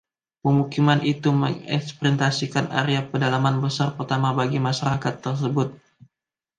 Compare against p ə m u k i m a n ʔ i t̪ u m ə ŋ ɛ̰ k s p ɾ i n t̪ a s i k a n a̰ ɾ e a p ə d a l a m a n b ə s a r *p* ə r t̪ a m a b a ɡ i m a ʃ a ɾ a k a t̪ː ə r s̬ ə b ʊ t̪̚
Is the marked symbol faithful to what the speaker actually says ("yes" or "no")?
yes